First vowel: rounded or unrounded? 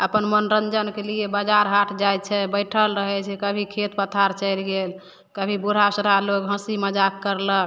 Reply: unrounded